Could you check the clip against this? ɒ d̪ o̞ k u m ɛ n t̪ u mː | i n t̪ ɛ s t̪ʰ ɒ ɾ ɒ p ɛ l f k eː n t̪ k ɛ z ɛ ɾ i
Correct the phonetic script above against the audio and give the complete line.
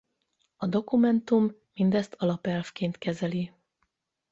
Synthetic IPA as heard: ɒ d̪ o̞ k u m ɛ n t̪ u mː | i n d̪ ɛ s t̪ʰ ɒ l ɒ p ɛ l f k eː n t̪ k ɛ z ɛ l i